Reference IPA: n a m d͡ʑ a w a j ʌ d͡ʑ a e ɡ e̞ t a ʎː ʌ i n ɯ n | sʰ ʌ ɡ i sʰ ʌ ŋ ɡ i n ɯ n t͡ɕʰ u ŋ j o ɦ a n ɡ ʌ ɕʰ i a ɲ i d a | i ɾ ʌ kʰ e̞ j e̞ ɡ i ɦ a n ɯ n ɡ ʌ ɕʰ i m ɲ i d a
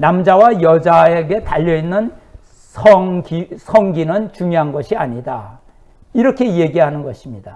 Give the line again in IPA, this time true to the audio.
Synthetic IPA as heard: n a m d͡ʑ a w a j ʌ d͡ʑ a e ɡ e̞ t a ʎː ʌ i nː ɯ n | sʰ ʌ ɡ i sʰ ʌ ŋ ɡ i n ɯ n t͡ɕ u ŋ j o ɦ a n ɡ ʌ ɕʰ i a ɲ i d a | i ɾ ʌ kʰ e̞ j e̞ ɡ i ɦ a n ɯ n ɡ ʌ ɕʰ i m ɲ i d a